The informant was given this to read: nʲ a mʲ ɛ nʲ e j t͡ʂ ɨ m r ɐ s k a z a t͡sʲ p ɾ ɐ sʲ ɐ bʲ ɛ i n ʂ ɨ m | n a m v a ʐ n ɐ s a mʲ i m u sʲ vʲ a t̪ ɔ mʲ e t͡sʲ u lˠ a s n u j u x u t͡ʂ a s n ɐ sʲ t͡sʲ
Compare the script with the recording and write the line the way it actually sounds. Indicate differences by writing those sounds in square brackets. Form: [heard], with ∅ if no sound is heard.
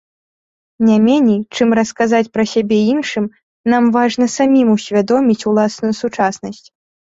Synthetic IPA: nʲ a mʲ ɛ nʲ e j t͡ʂ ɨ m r ɐ s k a z a t͡sʲ p ɾ ɐ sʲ [a] bʲ ɛ i n ʂ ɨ m | n a m v a ʐ n ɐ s a mʲ i m u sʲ vʲ a [d̪] ɔ mʲ [i] t͡sʲ u lˠ a s n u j u [s] u t͡ʂ a s n ɐ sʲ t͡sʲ